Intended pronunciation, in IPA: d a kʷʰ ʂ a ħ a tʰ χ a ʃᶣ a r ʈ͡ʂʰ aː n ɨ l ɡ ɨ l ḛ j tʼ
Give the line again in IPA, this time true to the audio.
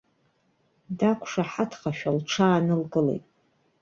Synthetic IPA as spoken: d a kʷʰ ʂ a ħ a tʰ χ a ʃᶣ a l ʈ͡ʂʰ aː n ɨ l ɡ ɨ l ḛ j tʼ